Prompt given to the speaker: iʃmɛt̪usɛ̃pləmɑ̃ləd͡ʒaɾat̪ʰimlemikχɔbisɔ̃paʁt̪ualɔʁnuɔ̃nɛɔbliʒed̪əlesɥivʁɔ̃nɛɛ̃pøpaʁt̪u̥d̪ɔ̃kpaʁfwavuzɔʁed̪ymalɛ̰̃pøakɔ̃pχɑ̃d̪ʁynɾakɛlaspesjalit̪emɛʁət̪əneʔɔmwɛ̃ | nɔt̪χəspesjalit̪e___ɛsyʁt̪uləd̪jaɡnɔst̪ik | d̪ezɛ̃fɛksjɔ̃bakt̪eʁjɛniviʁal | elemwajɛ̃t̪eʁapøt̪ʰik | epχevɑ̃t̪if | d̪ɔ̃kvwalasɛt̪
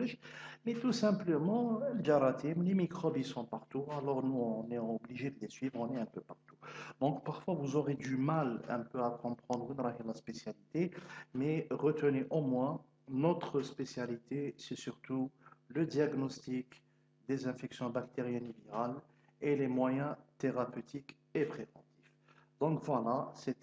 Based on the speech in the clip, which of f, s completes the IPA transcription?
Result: s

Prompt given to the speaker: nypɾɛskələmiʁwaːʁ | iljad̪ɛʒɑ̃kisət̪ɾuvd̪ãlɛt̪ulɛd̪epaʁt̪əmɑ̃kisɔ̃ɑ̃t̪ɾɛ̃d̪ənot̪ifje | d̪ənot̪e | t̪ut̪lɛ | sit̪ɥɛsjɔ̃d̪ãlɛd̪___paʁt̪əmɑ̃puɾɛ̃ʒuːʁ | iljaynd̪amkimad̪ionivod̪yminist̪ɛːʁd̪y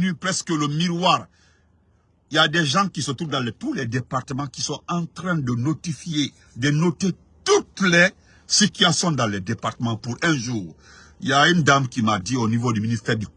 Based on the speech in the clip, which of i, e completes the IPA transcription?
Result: e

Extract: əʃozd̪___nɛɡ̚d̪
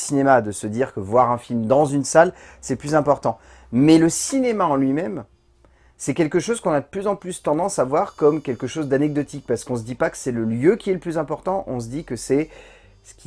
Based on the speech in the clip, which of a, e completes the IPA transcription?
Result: a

